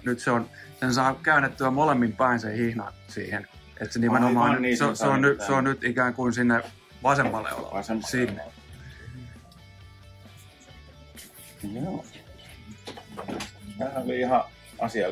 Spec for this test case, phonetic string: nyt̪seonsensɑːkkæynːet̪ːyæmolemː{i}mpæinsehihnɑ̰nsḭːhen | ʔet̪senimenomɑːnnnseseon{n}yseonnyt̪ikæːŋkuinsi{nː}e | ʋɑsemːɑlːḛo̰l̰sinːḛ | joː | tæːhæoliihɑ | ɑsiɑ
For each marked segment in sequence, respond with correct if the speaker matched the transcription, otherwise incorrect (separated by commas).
correct, correct, correct